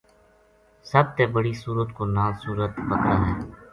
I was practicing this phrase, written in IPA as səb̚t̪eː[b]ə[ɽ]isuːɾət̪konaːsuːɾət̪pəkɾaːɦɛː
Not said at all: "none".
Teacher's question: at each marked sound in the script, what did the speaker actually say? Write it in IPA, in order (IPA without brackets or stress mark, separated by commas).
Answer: b, ɽ